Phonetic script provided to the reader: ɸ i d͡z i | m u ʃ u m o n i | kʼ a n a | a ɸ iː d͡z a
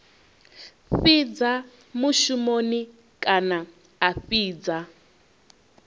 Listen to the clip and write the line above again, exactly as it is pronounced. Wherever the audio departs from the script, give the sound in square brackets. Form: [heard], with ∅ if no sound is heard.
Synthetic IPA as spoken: ɸ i d͡z [a] | m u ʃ u m o n i | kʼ a n a | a ɸ iː d͡z a